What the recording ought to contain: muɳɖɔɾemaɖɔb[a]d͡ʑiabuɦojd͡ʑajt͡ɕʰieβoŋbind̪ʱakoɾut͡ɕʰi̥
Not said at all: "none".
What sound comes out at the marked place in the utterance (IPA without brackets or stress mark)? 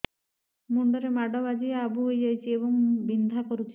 a